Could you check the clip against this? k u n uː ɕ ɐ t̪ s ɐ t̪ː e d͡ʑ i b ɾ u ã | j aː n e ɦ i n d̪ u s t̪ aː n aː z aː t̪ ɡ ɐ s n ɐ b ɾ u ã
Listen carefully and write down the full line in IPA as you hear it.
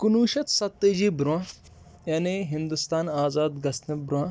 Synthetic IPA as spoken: k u n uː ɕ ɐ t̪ s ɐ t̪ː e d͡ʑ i b ɾ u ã | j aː n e ɦ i n d̪ u s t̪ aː n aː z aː d̪ ɡ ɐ s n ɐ b ɾ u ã